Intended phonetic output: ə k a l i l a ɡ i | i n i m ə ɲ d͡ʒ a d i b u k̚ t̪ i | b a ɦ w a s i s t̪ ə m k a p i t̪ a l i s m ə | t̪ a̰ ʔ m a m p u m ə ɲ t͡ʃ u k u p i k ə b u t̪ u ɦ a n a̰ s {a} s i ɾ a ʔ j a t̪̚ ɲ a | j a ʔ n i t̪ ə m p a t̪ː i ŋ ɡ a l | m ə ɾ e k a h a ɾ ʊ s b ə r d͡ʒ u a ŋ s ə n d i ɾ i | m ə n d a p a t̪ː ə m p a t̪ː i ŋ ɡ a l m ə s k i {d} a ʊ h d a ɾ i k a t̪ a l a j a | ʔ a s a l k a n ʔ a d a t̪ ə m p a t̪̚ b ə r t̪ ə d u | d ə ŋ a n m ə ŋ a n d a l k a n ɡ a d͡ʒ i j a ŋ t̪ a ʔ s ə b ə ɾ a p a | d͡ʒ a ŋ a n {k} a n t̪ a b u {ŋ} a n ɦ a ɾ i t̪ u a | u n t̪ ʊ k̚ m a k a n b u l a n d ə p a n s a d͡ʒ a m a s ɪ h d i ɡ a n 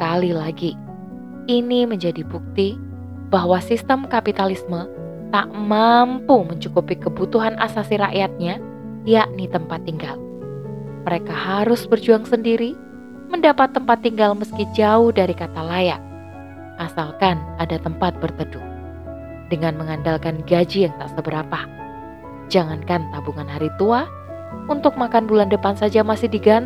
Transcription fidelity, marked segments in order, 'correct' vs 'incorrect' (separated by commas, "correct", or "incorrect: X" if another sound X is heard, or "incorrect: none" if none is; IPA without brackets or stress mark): correct, incorrect: d͡ʒ, correct, correct